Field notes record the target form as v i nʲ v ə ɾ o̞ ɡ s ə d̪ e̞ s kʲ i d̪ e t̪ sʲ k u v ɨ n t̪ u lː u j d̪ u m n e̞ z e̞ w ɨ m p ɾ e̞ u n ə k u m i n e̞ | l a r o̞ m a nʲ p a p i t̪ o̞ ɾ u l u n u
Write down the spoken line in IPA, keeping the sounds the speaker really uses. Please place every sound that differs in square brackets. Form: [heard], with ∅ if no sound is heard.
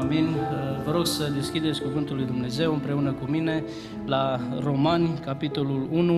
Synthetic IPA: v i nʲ v ə ɾ o̞ ɡ s ə d̪ e̞ s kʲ i d̪ e t̪ sʲ k u v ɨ n t̪ u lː u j d̪ u m n e̞ z e̞ w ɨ m p ɾ e̞ u n ə k u m i n e̞ | l a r o̞ m a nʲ [k] a p i t̪ o̞ [l] u l u n u